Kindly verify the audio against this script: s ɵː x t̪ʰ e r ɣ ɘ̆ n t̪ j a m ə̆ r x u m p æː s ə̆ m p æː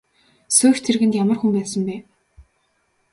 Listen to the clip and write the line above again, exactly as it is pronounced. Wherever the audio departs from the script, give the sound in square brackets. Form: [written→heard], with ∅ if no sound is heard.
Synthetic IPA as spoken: s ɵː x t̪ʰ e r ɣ ɘ̆ n t̪ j a m ə̆ r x u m p æː s ə̆ m p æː